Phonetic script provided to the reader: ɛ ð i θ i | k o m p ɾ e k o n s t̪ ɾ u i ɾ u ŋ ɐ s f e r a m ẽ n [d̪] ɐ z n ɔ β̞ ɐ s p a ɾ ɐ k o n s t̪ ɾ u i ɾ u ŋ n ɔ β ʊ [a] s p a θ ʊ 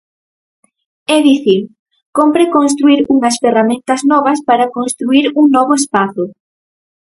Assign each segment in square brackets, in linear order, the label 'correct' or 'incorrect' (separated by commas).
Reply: incorrect, incorrect